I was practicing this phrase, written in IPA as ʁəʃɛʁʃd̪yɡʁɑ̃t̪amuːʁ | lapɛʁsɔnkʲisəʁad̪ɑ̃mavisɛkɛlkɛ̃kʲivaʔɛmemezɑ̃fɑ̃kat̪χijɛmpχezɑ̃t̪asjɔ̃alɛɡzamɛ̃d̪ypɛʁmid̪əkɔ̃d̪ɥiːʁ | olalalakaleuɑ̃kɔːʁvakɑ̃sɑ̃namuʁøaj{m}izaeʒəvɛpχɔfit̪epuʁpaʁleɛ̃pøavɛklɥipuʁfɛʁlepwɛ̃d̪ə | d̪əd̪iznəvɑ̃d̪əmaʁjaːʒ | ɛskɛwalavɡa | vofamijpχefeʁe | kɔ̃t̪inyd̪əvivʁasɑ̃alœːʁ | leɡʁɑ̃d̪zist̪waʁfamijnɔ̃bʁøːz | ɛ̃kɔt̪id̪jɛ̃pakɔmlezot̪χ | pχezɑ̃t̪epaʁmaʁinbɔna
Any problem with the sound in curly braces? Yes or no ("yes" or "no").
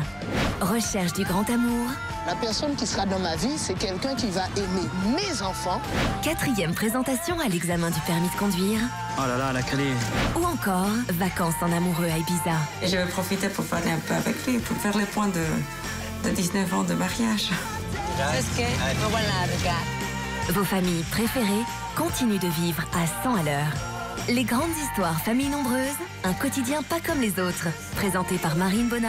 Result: yes